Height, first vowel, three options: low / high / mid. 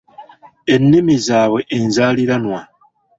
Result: mid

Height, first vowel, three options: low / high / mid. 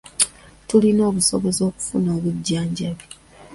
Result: high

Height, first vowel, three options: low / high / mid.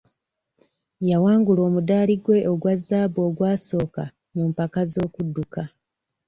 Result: low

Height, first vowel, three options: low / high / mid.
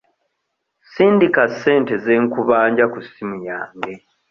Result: high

